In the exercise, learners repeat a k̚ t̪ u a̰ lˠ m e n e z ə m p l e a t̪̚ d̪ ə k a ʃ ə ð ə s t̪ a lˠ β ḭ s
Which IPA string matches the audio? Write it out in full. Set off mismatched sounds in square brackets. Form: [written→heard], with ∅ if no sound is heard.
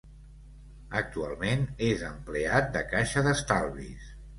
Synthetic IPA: [a→ə] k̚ t̪ u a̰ lˠ m e n e z ə m p l e a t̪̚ d̪ ə k a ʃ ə ð ə s t̪ a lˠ β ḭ s